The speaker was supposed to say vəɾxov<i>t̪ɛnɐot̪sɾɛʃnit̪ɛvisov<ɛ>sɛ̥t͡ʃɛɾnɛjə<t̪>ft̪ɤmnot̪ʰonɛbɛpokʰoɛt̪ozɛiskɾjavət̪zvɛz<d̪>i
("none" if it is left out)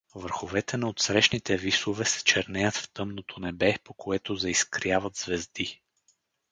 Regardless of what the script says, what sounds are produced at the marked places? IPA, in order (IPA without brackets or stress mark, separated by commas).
ɛ, ɛ, t̪, d̪